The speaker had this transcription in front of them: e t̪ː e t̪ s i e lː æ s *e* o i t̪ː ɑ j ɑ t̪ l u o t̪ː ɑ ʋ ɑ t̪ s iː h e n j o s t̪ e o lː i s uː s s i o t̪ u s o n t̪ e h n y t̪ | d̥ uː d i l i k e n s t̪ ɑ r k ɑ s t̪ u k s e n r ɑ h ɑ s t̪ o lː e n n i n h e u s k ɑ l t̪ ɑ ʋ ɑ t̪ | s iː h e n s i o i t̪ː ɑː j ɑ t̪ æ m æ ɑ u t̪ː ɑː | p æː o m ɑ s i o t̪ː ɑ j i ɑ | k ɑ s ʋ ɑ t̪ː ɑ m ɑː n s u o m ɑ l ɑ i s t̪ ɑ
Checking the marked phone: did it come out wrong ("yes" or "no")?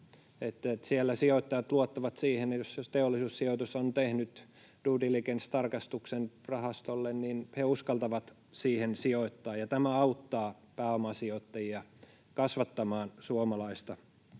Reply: yes